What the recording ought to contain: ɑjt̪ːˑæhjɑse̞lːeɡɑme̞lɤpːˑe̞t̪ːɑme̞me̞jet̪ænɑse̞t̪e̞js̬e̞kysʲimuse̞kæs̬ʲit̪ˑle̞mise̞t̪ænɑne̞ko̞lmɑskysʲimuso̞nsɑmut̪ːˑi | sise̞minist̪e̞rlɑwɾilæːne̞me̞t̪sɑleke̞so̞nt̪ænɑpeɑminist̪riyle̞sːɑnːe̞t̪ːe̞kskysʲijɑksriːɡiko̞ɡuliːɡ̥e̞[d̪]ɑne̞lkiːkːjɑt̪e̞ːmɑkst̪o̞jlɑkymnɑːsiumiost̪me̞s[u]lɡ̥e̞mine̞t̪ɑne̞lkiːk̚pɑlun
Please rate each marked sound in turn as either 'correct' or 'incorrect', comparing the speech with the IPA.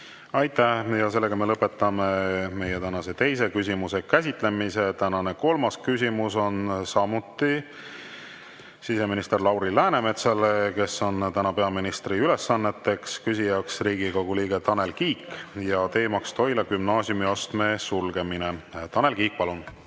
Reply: incorrect: t̪, correct

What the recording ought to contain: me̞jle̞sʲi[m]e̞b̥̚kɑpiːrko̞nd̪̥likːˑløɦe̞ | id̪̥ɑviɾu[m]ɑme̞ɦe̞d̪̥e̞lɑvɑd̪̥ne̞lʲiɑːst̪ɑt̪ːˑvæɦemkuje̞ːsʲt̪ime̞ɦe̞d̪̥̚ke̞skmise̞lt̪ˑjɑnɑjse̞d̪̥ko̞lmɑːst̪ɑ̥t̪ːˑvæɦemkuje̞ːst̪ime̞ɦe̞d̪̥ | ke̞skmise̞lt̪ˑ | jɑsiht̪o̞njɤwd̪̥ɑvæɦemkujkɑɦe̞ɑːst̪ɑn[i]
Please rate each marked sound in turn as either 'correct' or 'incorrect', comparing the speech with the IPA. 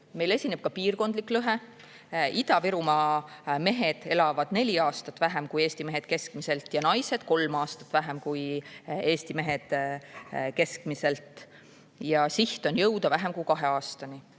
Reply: incorrect: n, correct, correct

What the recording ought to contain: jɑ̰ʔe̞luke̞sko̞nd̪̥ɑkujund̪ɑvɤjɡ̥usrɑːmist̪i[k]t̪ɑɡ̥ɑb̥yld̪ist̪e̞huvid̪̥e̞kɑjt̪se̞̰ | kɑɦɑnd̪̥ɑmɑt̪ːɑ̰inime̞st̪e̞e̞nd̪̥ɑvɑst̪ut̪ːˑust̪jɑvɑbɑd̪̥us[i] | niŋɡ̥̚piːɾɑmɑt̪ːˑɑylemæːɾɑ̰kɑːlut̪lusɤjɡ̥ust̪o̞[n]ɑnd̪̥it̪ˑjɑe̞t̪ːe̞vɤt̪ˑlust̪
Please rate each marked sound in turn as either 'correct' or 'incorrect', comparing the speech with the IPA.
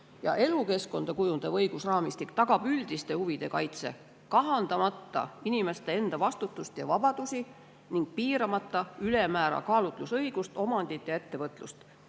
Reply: correct, correct, incorrect: m

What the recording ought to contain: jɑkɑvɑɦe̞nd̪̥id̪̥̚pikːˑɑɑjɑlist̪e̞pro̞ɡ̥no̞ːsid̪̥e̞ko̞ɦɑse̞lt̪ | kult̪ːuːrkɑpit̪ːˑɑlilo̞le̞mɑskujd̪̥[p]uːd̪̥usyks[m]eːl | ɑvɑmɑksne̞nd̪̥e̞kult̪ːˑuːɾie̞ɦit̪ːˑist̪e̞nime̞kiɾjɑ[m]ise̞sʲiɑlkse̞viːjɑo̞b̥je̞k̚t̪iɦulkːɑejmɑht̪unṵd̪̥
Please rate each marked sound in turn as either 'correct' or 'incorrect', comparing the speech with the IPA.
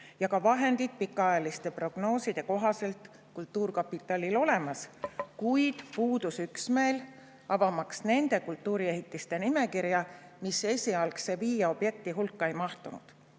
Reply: correct, correct, correct

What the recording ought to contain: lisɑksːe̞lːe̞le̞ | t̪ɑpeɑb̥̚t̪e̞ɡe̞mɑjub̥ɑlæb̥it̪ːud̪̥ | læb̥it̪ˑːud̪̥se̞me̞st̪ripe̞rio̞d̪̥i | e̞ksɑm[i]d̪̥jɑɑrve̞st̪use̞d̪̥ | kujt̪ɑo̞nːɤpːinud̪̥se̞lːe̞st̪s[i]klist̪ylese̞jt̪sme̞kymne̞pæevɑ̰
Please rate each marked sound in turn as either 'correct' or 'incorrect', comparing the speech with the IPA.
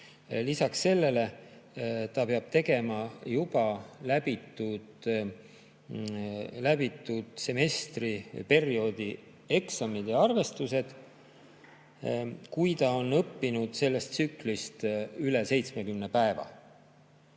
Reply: correct, incorrect: y

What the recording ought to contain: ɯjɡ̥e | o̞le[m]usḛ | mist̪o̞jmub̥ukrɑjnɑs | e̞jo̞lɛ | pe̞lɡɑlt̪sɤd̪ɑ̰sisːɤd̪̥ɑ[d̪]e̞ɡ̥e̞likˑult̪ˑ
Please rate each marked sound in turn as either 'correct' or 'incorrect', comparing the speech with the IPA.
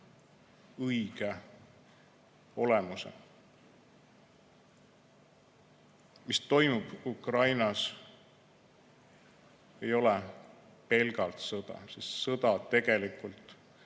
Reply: correct, incorrect: t̪

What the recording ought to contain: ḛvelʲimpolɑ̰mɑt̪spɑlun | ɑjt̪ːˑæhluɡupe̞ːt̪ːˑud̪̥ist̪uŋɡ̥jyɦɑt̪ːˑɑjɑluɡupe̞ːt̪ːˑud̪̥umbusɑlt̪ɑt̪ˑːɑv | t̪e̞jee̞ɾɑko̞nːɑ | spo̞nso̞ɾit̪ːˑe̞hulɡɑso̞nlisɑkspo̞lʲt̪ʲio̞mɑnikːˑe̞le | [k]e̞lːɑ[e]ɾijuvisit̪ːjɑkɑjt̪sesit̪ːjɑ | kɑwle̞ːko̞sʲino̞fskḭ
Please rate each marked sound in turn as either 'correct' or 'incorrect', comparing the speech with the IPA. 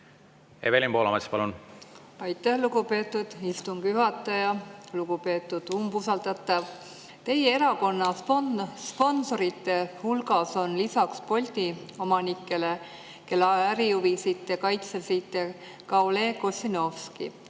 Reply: correct, incorrect: æ

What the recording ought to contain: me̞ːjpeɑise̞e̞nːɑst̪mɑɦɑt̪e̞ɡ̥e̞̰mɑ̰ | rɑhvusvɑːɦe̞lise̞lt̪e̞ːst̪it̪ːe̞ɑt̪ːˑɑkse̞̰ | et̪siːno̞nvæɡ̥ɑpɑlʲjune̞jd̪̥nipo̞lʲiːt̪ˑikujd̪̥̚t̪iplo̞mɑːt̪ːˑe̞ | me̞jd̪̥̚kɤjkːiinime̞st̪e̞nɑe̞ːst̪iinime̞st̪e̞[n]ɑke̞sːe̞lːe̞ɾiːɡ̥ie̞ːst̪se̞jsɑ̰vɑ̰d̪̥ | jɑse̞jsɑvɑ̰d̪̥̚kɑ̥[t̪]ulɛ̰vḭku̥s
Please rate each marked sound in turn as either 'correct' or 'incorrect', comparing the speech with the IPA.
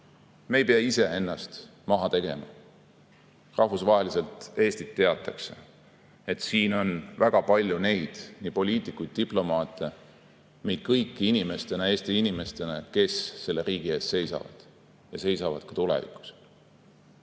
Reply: correct, correct

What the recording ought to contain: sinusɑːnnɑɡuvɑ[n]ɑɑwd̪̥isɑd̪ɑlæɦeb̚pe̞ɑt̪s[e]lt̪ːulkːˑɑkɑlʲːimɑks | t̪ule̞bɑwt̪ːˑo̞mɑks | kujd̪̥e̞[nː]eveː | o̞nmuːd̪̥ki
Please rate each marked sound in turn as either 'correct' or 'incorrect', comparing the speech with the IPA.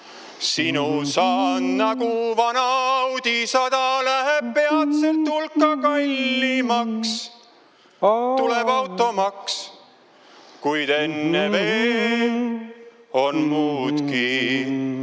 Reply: correct, correct, correct

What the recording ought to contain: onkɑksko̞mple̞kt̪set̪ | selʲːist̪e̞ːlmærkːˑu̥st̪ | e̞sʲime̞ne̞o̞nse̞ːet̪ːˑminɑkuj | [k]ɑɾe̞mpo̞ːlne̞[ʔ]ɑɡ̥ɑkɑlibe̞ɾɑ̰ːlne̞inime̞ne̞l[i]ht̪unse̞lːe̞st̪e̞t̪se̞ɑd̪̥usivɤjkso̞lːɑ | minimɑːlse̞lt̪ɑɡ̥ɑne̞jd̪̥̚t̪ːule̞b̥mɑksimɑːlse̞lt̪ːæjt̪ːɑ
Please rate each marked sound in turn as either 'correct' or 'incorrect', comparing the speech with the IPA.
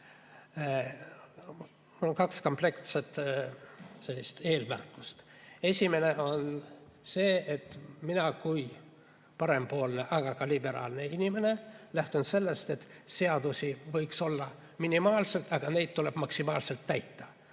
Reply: incorrect: p, correct, incorrect: æ

